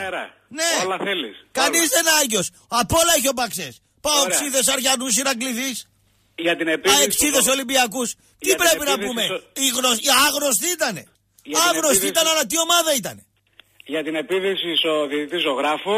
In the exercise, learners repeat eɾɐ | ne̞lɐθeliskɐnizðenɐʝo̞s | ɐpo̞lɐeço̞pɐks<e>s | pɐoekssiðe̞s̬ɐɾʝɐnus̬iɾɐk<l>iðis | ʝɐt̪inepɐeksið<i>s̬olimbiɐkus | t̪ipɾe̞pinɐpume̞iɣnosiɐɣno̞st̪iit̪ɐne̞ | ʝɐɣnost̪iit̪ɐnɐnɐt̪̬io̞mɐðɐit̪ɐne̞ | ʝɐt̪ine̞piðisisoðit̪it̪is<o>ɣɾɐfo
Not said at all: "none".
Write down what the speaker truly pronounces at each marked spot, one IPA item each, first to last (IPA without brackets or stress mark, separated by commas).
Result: e, l, e, o